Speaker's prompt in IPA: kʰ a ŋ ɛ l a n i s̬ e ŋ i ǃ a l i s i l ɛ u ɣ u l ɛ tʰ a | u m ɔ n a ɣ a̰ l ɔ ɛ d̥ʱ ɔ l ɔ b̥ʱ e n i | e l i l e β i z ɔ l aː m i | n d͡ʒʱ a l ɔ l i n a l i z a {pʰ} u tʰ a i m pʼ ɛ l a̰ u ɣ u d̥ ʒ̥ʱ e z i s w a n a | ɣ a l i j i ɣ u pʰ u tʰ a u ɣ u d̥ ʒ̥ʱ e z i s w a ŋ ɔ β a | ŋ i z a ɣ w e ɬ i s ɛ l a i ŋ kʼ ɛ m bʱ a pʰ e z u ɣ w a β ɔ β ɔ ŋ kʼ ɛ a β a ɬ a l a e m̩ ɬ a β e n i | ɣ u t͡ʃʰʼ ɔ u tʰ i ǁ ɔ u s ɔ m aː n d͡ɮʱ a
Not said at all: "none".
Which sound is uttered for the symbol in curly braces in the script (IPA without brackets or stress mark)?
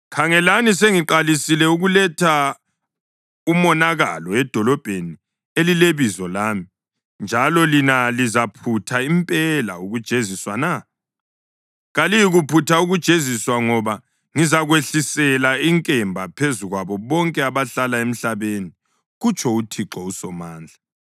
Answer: pʰ